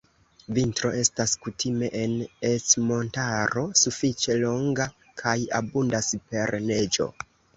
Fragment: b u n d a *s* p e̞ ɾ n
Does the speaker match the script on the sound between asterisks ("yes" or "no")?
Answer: yes